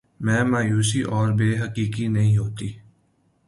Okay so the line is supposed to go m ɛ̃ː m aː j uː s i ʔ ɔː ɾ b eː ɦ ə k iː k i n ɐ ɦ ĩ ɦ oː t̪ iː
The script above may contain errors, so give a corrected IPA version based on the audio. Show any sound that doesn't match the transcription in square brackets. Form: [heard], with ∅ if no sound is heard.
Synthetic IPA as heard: m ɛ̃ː m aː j uː s i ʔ ɔː ɾ b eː ɦ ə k iː k i n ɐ ɦ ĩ ɦ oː t̪ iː